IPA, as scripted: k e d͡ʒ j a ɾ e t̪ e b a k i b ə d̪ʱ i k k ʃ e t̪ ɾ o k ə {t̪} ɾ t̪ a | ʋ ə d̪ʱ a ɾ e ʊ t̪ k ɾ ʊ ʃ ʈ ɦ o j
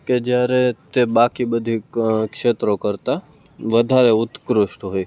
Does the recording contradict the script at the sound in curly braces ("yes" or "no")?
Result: yes